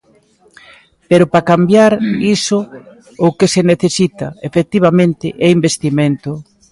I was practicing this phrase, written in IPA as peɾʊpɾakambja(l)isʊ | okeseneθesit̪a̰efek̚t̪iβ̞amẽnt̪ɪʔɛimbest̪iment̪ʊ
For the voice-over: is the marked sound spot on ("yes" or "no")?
no